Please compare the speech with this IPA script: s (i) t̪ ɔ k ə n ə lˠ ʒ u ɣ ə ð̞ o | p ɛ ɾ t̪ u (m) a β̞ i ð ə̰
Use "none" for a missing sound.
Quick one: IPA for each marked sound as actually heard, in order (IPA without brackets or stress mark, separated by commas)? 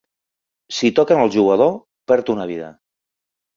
i, n